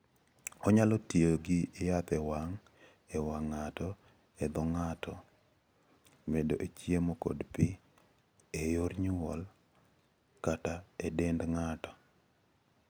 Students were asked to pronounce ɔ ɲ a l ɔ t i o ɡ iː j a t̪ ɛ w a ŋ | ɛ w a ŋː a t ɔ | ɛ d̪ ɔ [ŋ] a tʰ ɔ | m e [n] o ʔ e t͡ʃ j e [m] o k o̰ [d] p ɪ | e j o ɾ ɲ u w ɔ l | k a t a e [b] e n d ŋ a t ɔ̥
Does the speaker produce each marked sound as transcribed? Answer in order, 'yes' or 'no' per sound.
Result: yes, no, yes, yes, no

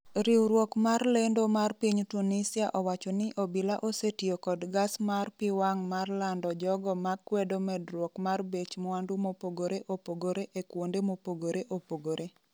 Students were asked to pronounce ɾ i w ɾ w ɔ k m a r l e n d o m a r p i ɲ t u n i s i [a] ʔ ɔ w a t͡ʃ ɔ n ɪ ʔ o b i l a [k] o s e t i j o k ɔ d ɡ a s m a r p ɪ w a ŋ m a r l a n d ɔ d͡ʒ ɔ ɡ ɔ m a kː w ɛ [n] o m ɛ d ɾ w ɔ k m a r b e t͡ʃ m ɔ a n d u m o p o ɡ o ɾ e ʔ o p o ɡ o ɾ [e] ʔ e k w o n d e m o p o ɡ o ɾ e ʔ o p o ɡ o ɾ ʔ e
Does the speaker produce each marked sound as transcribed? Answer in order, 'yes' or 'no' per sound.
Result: yes, no, no, yes

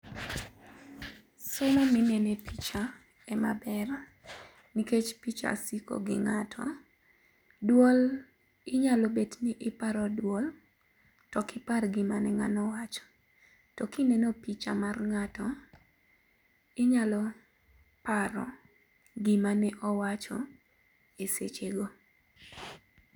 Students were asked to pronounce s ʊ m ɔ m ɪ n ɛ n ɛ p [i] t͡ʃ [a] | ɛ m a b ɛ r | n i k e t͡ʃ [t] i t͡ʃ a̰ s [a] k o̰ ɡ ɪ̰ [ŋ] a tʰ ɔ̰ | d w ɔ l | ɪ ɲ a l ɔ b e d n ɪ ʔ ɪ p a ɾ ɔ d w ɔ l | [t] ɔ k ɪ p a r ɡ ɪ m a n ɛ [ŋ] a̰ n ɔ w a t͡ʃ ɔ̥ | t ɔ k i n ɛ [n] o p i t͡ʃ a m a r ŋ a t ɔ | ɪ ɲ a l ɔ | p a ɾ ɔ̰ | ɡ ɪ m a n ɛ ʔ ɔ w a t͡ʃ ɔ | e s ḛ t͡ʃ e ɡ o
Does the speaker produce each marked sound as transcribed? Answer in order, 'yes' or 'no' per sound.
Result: yes, yes, no, no, yes, yes, yes, yes

